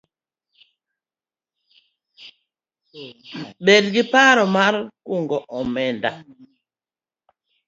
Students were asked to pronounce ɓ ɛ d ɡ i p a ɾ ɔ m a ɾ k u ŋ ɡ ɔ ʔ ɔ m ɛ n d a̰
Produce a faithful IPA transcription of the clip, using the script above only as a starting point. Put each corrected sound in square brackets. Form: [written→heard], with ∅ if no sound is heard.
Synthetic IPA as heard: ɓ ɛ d ɡ i p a ɾ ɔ m a ɾ k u ŋ ɡ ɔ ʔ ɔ m ɛ n d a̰